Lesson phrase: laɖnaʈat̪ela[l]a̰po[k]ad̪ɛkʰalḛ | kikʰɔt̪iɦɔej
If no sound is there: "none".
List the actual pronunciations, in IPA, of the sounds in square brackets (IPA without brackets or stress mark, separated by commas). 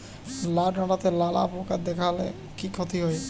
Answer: l, k